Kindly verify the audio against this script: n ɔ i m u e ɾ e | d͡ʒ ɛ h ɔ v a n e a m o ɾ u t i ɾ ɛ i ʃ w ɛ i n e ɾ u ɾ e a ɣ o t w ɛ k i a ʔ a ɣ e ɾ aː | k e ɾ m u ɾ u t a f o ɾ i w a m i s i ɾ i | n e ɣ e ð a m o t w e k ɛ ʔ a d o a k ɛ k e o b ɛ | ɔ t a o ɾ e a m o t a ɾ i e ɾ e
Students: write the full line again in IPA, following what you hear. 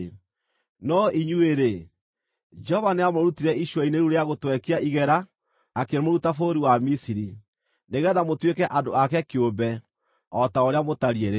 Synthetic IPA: n ɔ i ɲ u e ɾ e | d͡ʒ ɛ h ɔ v a n e a m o ɾ u t i ɾ ɛ i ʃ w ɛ i n e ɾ u ɾ e a ɣ o t w ɛ k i a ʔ i ɣ ɛ ɾ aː | k e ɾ m o ɾ u t a f o ɾ i w a m i s i ɾ i | n e ɣ ɛ ð a m o t w e k ɛ ʔ a d o a k ɛ k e o b ɛ | ɔ t a o ɾ e a m o t a ɾ i e ɾ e